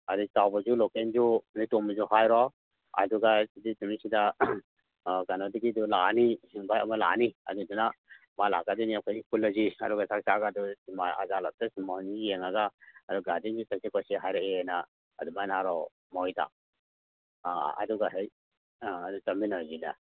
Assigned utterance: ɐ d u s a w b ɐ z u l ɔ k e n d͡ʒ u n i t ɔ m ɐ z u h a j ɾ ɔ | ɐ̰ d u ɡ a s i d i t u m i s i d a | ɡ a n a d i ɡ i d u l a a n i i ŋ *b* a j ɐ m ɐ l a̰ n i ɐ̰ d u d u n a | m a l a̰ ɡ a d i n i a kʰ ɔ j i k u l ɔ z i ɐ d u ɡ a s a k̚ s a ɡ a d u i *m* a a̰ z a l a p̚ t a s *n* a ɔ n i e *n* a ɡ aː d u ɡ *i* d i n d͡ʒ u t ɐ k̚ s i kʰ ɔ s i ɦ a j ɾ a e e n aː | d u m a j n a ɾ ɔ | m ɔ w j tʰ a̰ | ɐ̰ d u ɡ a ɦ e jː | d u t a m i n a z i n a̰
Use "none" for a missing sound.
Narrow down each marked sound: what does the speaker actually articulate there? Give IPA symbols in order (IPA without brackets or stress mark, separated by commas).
b, m, m, ŋ, a